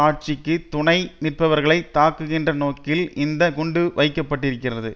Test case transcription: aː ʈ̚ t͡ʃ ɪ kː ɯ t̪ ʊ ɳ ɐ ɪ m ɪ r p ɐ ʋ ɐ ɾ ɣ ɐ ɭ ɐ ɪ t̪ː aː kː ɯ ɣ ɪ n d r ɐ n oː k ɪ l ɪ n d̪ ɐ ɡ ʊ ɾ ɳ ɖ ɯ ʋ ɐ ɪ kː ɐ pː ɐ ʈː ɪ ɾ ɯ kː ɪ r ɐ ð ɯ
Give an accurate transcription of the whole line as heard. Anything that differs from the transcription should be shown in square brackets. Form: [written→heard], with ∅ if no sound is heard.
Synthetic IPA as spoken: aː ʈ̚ t͡ʃ ɪ kː ɯ t̪ ʊ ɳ ɐ ɪ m ɪ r p ɐ ʋ ɐ ɾ ɣ ɐ ɭ ɐ ɪ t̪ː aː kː ɯ ɣ ɪ n d r ɐ n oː k ɪ l ɪ n d̪ ɐ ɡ ʊ [ɾ→∅] ɳ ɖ ɯ ʋ ɐ ɪ kː ɐ pː ɐ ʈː ɪ ɾ ɯ kː ɪ r ɐ ð ɯ